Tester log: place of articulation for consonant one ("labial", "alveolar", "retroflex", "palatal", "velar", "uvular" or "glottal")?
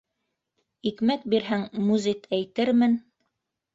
velar